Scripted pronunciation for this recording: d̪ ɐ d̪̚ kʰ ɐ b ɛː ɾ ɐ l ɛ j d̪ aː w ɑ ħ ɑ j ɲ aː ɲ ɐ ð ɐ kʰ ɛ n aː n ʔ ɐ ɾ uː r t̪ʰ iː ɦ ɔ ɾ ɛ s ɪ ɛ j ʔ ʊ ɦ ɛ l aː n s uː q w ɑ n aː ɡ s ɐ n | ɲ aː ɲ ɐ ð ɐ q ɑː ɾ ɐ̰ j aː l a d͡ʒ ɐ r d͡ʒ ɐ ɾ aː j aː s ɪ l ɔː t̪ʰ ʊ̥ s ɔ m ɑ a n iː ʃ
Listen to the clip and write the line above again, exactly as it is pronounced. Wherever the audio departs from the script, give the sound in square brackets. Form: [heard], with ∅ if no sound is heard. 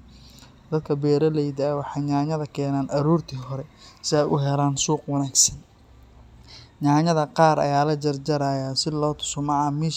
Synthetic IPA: d̪ ɐ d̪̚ kʰ ɐ b ɛː ɾ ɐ l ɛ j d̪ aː w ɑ ħ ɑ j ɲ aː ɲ ɐ ð ɐ kʰ [ɛː] n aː n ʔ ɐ ɾ uː r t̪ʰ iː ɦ ɔ ɾ ɛ s ɪ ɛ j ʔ ʊ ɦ ɛ l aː n s uː q w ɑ n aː ɡ s ɐ n | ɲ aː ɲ ɐ ð ɐ q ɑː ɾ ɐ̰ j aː l [ɐ] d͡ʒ ɐ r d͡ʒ ɐ ɾ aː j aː s ɪ l ɔː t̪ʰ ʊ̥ s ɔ m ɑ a [m] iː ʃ